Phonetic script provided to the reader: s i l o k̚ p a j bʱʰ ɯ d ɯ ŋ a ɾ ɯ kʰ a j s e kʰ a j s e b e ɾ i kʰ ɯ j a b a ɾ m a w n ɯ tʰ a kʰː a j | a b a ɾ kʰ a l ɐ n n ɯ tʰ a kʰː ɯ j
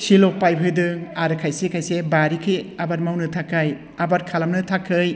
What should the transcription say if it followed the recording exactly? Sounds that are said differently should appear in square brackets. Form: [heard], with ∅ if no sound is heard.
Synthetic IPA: s i l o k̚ p a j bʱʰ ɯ d ɯ ŋ a ɾ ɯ kʰ a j s e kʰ a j s e b [a] ɾ i kʰ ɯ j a b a ɾ m a w n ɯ tʰ a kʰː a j | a b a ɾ kʰ a l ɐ [m] n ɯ tʰ a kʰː ɯ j